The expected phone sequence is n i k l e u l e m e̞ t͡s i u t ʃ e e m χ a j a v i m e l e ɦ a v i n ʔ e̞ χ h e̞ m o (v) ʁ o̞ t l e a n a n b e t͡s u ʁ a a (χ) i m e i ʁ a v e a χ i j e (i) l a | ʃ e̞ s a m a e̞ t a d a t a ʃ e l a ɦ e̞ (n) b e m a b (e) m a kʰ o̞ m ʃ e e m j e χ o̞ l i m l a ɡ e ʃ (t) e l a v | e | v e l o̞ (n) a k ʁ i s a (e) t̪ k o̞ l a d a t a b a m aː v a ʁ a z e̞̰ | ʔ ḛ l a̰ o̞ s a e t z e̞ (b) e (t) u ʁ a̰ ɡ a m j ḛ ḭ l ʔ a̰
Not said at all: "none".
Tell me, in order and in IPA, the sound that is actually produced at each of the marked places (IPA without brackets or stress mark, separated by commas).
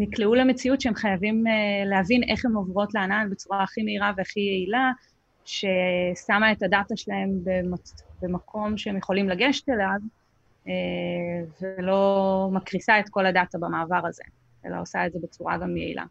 v, χ, i, m, e, t, m, e, b, t͡s